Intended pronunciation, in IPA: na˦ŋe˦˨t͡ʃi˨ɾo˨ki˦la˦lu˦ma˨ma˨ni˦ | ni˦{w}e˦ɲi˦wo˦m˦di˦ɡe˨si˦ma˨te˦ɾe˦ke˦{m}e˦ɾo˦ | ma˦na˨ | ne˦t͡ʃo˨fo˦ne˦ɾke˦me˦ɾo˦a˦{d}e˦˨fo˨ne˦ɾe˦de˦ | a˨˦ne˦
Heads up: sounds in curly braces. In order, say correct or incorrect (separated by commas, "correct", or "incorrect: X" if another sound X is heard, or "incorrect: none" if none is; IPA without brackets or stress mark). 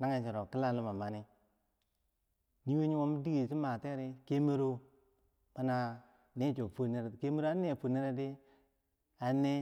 correct, correct, incorrect: n